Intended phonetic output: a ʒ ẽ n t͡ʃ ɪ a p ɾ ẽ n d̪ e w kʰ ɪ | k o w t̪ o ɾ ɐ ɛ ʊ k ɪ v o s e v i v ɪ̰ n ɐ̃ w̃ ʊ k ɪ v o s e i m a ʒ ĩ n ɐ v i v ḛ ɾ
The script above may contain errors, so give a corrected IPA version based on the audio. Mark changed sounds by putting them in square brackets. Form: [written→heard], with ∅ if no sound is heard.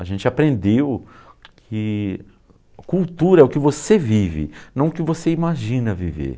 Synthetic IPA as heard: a ʒ ẽ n t͡ʃ ɪ a p ɾ ẽ n d̪ e w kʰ ɪ | k [o→u] w t̪ [o→u] ɾ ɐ ɛ ʊ k ɪ v o s e v i v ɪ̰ n ɐ̃ w̃ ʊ k ɪ v o s e i m a ʒ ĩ n ɐ v i v ḛ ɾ